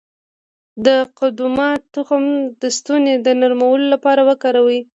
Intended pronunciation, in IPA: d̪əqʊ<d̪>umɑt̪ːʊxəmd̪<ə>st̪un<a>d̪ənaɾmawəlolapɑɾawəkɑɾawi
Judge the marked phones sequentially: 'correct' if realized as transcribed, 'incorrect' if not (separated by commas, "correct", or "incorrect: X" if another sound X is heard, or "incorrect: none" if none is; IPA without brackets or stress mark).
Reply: correct, correct, incorrect: e